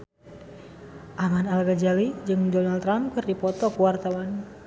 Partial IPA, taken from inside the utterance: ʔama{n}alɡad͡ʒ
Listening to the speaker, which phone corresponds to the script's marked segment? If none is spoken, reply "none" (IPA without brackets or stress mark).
n